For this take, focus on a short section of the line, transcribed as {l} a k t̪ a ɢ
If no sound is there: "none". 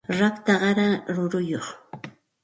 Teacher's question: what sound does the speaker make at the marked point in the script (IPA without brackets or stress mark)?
ɾ